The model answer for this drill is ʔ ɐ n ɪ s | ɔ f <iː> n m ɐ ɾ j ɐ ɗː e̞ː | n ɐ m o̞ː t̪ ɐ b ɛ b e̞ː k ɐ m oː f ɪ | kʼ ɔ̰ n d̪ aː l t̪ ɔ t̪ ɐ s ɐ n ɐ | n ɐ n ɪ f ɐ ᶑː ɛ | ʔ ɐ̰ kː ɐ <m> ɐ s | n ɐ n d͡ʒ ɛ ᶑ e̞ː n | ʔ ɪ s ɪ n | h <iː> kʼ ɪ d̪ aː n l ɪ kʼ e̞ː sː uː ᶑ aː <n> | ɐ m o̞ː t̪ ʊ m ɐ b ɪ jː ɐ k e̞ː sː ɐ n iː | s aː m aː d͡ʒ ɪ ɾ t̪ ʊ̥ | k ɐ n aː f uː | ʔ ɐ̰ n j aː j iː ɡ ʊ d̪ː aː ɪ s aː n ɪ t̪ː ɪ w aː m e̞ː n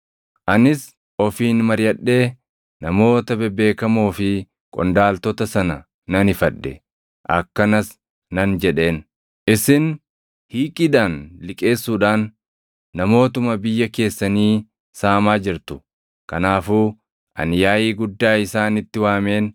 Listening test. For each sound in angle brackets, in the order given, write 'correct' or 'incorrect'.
correct, incorrect: n, correct, incorrect: nː

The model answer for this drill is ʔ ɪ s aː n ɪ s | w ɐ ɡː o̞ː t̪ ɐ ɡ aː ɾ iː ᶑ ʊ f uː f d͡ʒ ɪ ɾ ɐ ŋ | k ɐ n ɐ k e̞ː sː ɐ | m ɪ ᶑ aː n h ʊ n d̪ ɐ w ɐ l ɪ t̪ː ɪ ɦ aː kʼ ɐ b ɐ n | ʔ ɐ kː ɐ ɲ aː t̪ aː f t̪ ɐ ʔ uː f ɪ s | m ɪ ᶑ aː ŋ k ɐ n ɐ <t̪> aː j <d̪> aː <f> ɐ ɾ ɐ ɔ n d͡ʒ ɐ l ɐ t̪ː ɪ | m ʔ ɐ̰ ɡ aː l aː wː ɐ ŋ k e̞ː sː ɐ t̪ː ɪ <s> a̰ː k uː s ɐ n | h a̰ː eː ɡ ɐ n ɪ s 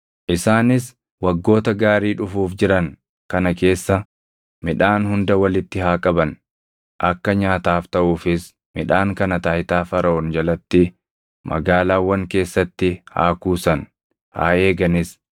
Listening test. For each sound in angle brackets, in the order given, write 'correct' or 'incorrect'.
correct, incorrect: t̪, correct, incorrect: h

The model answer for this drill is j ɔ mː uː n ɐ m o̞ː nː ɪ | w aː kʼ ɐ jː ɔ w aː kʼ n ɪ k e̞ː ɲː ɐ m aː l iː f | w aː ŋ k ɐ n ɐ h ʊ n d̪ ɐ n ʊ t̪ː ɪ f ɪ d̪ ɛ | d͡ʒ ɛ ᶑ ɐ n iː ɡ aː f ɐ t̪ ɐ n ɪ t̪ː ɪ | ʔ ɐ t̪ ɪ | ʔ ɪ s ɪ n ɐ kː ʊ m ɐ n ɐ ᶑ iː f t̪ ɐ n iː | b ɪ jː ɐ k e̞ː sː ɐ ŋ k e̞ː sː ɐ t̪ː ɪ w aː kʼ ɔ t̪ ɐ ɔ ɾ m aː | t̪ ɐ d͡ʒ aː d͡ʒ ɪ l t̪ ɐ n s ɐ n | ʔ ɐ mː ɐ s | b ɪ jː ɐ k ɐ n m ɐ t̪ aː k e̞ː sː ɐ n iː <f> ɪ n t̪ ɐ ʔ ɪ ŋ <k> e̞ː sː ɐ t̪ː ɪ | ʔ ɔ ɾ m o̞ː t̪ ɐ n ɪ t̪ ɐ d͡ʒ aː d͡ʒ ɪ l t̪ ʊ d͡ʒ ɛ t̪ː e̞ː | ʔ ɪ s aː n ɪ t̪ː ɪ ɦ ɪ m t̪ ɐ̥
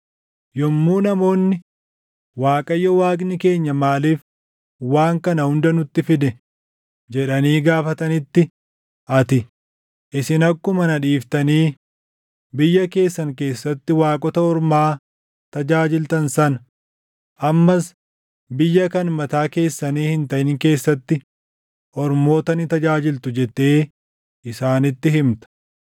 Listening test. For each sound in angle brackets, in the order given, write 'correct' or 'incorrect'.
incorrect: h, correct

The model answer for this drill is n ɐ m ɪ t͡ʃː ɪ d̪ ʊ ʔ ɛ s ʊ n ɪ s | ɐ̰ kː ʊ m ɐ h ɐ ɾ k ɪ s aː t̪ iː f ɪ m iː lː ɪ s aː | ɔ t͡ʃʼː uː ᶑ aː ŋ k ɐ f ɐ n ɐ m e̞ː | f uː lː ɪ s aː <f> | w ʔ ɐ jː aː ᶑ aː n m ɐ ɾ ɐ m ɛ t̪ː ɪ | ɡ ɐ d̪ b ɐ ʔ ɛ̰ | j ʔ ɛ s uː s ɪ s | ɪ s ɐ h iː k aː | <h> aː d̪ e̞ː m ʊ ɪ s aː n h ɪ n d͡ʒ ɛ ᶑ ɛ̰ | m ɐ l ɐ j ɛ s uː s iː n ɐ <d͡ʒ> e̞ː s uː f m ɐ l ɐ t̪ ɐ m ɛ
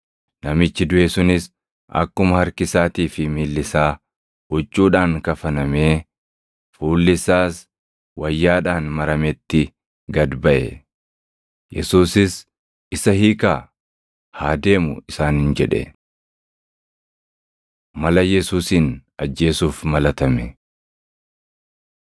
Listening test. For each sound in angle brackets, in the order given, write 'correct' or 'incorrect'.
incorrect: s, correct, incorrect: d͡ʒː

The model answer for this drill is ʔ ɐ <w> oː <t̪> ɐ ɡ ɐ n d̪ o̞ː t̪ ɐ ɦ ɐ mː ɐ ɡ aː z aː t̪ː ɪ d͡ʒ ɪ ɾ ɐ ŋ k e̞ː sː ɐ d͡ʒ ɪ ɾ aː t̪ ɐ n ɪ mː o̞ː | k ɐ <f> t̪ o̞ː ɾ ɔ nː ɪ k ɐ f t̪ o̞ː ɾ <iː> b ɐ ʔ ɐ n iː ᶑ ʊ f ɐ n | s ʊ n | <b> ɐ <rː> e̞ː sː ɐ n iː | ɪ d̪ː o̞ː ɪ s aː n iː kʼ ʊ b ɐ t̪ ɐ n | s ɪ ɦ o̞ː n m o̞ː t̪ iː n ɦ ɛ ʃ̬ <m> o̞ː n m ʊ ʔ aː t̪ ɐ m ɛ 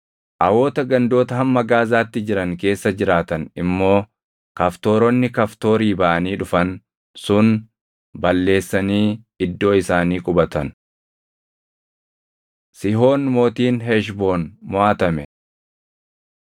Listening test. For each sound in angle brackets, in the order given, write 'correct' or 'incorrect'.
correct, correct, correct, correct, correct, incorrect: lː, incorrect: b

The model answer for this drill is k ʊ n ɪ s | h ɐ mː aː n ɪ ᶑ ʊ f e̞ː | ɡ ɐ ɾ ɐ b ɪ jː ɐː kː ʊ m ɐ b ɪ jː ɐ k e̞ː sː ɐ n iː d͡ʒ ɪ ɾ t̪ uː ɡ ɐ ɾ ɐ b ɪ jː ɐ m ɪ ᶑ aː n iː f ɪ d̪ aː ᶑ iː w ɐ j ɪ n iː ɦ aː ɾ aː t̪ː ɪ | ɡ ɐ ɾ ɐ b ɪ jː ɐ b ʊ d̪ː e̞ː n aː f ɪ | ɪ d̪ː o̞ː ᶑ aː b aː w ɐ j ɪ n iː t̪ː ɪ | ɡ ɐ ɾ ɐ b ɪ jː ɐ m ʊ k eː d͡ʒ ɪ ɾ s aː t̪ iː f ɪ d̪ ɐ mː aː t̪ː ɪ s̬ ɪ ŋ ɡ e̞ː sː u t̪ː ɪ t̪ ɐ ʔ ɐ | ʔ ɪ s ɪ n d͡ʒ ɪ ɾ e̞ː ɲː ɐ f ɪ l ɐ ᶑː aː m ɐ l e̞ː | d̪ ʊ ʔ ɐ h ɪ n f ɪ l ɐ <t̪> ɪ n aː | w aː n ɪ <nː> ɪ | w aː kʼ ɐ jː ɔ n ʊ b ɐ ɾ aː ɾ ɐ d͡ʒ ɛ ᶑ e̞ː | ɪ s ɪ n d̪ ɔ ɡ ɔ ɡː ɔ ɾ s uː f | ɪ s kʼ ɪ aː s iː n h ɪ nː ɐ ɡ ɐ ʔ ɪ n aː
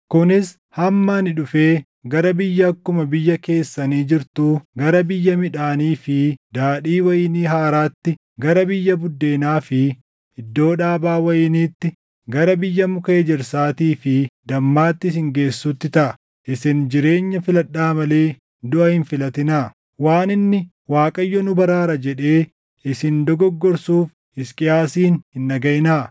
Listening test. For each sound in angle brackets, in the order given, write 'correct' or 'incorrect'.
correct, correct

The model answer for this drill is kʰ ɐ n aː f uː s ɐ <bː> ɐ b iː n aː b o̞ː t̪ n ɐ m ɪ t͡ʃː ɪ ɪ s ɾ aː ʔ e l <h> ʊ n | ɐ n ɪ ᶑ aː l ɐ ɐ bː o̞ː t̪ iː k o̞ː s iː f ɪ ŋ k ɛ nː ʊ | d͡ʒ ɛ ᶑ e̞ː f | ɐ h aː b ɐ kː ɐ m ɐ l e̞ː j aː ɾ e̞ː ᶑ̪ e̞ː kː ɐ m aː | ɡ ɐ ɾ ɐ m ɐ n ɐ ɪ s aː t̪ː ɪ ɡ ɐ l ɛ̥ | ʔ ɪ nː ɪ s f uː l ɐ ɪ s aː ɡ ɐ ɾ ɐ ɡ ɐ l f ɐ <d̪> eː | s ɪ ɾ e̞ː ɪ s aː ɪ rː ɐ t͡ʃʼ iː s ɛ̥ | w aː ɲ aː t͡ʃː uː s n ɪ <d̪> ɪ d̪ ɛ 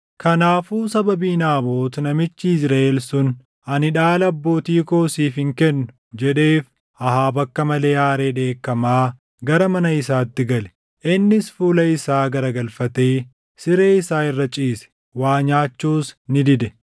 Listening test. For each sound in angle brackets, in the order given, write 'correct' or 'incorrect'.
incorrect: b, incorrect: s, incorrect: t̪, correct

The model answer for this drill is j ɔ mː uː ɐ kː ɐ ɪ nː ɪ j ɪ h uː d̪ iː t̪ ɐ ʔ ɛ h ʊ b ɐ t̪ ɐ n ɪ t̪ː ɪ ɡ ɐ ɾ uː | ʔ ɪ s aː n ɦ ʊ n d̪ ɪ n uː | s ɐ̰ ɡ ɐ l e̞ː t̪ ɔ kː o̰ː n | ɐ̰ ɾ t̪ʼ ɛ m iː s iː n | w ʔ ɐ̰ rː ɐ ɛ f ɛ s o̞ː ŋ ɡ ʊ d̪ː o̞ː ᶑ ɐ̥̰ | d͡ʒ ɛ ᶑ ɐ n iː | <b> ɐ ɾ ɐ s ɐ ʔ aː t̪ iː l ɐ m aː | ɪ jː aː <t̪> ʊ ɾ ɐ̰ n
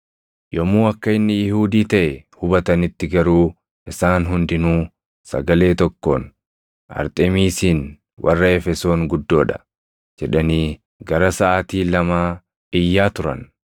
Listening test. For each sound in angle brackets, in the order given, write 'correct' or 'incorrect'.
incorrect: ɡ, correct

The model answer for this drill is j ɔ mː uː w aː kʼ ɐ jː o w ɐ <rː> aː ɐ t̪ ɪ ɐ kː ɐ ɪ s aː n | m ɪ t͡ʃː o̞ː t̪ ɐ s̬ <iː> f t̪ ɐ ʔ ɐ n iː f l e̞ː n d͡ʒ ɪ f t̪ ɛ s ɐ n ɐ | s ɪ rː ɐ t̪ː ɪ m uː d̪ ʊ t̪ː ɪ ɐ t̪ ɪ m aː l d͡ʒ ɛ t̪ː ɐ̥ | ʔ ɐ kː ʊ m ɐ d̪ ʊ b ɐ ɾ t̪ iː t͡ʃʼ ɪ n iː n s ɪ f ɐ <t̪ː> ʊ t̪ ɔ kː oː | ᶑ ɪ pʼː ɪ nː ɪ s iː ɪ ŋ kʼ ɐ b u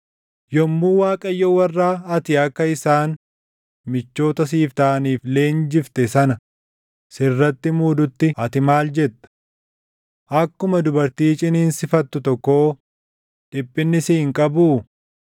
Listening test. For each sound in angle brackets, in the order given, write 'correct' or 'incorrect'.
correct, correct, correct

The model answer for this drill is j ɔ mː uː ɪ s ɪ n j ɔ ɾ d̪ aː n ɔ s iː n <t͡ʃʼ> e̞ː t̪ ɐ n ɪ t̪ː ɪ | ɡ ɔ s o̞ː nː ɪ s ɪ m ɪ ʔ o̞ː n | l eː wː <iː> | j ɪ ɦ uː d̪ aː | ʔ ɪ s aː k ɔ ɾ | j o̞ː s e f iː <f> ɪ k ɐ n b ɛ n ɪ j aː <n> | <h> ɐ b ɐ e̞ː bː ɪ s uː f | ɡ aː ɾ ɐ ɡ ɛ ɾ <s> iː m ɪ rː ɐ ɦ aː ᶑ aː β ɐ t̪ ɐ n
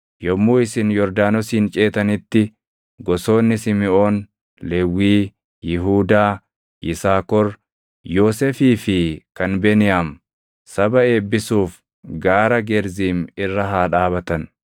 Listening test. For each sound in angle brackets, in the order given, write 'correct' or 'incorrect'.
correct, correct, correct, incorrect: m, incorrect: s, incorrect: z

